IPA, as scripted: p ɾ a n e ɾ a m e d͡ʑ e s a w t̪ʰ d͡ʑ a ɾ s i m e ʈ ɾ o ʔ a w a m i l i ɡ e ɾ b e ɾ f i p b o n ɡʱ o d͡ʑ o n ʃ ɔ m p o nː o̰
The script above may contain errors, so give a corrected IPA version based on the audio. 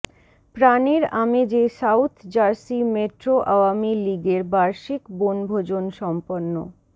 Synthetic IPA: p ɾ a n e ɾ a m e d͡ʑ e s a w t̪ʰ d͡ʑ a ɾ s i m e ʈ ɾ o ʔ a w a m i l i ɡ e ɾ b a ɾ ʃ i k b o n bʱ o d͡ʑ o n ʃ ɔ m p o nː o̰